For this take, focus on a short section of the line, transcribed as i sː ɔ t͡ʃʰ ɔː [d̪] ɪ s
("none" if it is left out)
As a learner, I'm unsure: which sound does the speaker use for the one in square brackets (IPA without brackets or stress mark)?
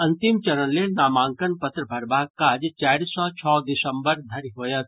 d̪